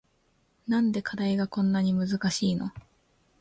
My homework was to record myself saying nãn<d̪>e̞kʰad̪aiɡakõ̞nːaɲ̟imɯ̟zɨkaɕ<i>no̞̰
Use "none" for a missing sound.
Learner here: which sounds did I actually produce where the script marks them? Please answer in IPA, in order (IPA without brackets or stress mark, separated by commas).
d̪, iː